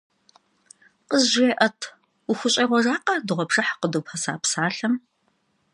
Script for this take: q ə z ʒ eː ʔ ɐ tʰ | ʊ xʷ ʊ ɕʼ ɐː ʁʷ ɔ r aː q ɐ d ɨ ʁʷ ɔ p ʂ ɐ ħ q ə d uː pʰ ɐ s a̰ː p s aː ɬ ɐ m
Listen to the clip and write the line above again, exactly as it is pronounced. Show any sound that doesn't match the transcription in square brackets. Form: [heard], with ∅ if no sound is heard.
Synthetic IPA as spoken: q ə z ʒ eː ʔ ɐ tʰ | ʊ xʷ ʊ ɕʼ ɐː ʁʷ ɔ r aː q ɐ d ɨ ʁʷ ɔ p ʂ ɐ ħ q ə d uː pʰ ɐ s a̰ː p s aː ɬ ɐ m